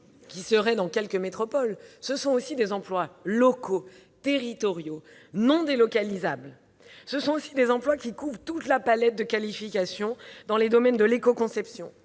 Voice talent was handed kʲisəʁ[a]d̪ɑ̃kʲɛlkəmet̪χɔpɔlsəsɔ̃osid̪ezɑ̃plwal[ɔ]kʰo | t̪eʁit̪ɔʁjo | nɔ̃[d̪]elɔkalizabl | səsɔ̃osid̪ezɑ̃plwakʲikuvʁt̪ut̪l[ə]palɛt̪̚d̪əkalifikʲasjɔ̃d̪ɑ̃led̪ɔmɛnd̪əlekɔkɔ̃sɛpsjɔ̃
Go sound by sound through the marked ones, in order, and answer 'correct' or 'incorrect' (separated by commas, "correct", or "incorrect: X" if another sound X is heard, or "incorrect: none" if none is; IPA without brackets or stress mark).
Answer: incorrect: ɛ, correct, correct, incorrect: a